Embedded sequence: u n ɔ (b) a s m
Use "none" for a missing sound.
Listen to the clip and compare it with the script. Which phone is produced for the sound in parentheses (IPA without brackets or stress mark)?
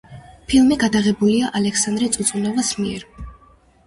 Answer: v